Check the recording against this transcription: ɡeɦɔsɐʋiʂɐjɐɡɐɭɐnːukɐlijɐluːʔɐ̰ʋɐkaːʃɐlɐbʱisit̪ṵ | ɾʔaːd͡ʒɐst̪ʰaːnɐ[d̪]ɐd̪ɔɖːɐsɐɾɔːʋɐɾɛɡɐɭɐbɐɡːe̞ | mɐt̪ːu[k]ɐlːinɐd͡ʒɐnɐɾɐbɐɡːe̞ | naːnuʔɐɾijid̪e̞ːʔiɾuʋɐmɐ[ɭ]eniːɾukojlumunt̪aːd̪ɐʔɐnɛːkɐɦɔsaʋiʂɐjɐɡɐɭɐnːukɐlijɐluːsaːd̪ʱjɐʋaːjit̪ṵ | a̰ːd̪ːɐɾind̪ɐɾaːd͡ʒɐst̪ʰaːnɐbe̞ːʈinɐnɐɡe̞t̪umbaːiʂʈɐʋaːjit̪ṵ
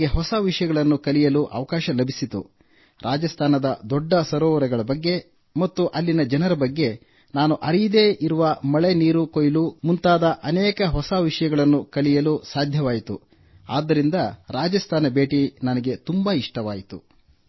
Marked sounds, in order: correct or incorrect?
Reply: correct, incorrect: ʔ, correct

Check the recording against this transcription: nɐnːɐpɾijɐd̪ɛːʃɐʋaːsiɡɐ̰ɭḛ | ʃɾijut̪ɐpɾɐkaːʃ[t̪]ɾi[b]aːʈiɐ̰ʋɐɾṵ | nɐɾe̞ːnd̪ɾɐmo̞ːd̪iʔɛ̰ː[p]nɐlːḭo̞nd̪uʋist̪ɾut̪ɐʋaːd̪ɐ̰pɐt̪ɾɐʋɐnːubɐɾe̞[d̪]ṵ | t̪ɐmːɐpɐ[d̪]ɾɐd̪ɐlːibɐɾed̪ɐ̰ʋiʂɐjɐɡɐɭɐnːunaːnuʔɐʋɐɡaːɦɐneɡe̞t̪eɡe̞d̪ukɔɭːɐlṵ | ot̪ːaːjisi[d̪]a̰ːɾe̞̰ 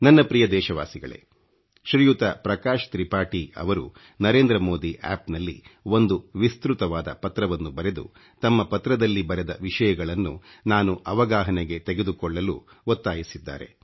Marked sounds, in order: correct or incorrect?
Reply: correct, incorrect: p, correct, correct, incorrect: t̪, incorrect: d̪ː

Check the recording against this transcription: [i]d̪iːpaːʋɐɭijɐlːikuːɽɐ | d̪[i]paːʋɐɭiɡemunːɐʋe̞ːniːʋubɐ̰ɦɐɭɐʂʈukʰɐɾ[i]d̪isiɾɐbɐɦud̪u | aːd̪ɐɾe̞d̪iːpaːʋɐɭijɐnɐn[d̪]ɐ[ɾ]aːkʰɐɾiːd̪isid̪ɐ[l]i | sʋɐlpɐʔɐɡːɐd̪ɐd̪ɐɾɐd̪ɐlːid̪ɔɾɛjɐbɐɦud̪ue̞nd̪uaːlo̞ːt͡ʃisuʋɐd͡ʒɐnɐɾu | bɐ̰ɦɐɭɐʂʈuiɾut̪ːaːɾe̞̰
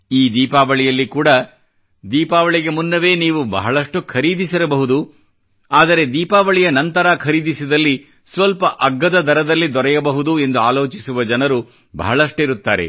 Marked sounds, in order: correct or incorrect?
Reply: incorrect: iː, incorrect: iː, incorrect: iː, incorrect: t̪, correct, incorrect: lː

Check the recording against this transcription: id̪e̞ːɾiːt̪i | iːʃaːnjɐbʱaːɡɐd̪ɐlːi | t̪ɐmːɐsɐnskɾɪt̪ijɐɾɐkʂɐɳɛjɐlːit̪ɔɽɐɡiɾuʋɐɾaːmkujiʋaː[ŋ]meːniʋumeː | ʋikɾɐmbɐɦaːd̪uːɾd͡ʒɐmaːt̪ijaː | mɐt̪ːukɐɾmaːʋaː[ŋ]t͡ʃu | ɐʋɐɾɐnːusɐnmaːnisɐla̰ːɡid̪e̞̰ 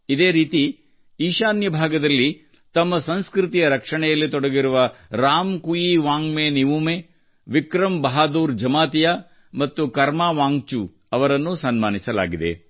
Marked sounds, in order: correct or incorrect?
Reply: correct, correct

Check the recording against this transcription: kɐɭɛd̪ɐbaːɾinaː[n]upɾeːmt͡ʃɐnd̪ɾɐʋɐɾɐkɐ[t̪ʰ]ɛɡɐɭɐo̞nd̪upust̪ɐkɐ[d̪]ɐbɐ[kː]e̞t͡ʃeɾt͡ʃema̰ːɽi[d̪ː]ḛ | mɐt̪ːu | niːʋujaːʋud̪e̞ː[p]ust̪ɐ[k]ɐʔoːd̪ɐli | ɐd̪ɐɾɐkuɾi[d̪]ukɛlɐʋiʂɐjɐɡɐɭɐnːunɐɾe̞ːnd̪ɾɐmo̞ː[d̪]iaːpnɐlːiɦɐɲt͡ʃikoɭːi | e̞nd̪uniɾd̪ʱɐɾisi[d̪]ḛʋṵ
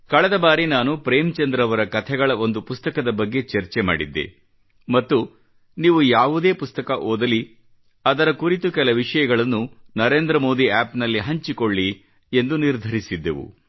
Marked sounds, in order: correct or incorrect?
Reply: correct, correct, correct, incorrect: ɡː, correct, correct, correct, incorrect: t̪, correct, incorrect: d̪ː

